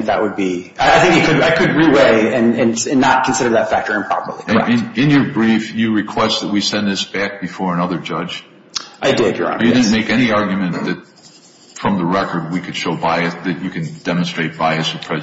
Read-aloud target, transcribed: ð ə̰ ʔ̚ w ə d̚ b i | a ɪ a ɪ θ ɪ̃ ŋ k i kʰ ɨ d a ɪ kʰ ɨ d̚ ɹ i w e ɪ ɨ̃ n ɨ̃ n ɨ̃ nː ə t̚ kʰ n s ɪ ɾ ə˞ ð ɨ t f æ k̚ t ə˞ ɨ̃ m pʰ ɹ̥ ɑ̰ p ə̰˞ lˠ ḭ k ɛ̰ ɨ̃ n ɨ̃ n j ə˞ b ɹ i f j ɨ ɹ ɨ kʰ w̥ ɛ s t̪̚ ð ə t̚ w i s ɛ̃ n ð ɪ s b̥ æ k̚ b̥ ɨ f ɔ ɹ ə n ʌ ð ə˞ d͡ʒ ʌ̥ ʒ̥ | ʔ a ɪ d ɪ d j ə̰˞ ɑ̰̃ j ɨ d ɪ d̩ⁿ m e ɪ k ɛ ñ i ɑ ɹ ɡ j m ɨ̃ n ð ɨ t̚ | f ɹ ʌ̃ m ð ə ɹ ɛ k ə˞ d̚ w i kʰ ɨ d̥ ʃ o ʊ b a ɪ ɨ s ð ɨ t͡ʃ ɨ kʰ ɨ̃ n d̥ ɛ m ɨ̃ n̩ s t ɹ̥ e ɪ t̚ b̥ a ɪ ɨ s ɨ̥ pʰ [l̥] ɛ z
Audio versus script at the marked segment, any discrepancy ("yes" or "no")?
yes